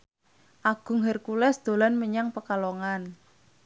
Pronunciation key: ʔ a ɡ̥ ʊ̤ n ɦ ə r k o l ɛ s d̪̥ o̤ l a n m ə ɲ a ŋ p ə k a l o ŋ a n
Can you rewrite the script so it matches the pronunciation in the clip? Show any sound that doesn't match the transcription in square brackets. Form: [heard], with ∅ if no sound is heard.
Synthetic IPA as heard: ʔ a ɡ̥ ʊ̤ [ŋ] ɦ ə r k [u] l ɛ s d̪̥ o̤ l a n m ə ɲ a ŋ p ə k a l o ŋ a n